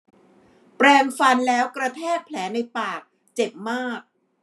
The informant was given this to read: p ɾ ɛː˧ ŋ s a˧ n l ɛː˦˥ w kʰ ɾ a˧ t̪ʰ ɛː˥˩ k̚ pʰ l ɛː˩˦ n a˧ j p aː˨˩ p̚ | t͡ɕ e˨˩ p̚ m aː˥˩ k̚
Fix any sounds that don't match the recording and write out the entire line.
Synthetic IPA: p ɾ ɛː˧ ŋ f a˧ n l ɛː˦˥ w k ɾ a˧ t̪ʰ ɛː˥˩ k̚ pʰ l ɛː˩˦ n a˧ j p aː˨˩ k̚ | t͡ɕ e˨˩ p̚ m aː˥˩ k̚